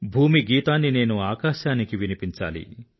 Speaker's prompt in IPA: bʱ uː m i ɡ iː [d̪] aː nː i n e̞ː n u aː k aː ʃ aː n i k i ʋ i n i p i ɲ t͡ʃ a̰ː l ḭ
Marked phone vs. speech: incorrect: t̪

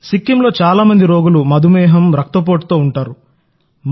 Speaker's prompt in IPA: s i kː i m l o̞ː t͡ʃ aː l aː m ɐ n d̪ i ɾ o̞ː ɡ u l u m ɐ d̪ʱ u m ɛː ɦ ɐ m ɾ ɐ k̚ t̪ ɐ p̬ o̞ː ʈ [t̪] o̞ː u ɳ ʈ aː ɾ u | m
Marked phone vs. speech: correct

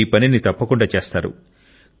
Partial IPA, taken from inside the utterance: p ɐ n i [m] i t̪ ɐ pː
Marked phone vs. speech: incorrect: n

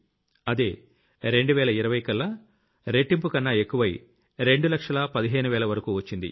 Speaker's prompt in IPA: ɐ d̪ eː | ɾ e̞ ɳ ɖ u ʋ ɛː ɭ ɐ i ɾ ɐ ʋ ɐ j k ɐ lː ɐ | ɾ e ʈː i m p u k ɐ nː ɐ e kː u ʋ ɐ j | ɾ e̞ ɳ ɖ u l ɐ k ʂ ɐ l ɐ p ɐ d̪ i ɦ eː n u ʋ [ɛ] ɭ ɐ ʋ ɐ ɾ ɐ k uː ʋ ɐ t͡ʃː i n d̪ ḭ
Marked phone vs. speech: incorrect: ɛː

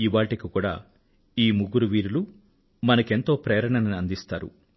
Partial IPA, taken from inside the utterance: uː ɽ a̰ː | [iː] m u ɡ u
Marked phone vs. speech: correct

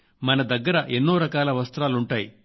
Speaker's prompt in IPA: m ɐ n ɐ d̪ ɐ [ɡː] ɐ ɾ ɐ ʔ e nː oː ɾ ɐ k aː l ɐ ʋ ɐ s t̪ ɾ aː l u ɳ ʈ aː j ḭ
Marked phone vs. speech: correct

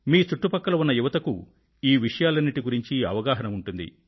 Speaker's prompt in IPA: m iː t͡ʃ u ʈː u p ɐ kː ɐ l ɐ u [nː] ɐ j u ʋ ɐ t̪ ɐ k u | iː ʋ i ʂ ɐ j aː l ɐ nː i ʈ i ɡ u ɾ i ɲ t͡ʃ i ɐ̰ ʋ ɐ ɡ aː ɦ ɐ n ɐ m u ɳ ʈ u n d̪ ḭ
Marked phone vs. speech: correct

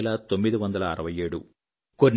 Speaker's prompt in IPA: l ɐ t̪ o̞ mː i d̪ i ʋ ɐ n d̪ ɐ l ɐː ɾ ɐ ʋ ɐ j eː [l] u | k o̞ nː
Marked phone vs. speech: incorrect: ɽ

